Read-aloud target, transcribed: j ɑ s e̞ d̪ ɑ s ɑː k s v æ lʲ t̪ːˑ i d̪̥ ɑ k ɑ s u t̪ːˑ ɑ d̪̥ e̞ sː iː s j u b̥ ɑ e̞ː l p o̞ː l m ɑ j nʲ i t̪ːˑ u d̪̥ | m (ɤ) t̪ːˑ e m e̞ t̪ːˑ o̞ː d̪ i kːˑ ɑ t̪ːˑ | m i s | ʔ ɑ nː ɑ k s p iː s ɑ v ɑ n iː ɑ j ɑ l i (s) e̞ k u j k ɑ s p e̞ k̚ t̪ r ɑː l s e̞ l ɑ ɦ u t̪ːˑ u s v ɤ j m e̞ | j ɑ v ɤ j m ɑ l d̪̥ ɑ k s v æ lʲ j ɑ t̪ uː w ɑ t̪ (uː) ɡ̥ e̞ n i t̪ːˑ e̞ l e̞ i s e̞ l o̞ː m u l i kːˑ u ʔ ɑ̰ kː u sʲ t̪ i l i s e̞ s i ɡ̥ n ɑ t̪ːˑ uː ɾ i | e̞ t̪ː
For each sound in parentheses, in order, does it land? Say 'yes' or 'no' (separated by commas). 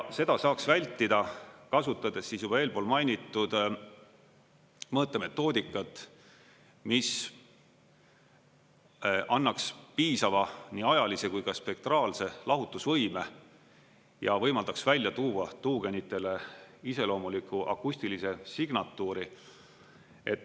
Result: no, yes, yes